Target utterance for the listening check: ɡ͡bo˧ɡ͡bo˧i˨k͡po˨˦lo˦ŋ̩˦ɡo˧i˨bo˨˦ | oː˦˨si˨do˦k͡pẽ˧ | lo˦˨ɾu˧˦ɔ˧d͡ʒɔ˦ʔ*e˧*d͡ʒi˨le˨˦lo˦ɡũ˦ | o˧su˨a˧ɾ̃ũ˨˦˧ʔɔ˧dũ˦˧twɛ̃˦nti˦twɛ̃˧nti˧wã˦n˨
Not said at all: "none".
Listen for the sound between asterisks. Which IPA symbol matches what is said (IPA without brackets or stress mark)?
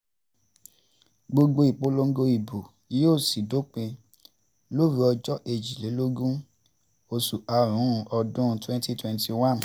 e˧